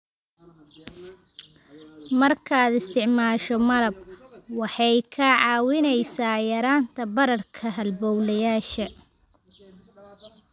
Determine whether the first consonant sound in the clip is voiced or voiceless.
voiced